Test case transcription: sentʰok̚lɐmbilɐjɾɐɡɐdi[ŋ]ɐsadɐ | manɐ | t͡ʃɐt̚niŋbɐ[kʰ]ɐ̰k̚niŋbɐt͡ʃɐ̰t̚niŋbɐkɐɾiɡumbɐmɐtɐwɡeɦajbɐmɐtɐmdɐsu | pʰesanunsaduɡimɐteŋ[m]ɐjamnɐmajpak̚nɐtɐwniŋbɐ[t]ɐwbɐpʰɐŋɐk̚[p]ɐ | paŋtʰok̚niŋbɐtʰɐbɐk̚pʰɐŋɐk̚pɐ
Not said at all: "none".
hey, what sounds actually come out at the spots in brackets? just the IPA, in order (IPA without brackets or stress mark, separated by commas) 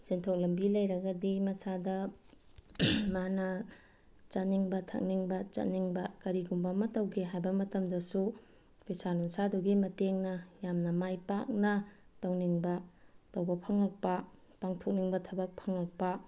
m, tʰ, n, t, p